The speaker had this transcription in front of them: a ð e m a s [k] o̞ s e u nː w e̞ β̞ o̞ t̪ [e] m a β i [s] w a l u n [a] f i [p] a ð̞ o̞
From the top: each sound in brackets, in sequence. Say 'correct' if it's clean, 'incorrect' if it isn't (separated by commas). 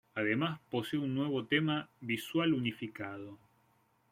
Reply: incorrect, correct, correct, incorrect, incorrect